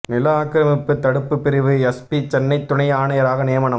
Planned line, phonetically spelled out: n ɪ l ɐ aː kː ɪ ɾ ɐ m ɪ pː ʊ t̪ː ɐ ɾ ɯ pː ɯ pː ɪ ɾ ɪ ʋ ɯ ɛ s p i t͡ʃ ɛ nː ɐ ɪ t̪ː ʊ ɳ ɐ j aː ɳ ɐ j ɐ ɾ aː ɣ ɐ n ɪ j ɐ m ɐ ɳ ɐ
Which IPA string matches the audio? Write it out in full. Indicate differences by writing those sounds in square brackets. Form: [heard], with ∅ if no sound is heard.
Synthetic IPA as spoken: n ɪ l ɐ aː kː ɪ ɾ ɐ m ɪ pː [ɯ] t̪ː ɐ [ɽ] ɯ pː ɯ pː ɪ ɾ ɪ ʋ ɯ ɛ s p i t͡ʃ ɛ nː ɐ ɪ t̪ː ʊ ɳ ɐ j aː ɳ ɐ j ɐ ɾ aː ɣ ɐ n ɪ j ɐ m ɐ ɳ ɐ